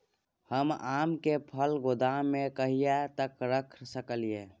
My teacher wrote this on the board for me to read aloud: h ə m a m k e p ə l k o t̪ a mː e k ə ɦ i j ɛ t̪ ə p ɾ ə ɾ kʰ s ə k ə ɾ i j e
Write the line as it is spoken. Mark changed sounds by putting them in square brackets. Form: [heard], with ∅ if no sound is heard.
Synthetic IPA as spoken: h ə m a m k e [pʰ] ə l [ɡ] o [d̪] a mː e k ə ɦ i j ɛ t̪ ə [k] ɾ ə [∅] kʰ s ə k ə [l] i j e